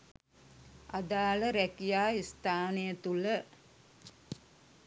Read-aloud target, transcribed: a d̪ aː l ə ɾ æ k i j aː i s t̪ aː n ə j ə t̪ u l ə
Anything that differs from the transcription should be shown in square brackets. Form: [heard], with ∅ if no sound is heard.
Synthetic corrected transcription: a d̪ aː l ə ɾ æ k i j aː i s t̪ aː n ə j ə t̪ u l ə